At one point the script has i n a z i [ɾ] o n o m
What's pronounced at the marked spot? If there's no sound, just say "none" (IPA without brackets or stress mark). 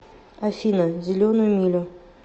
l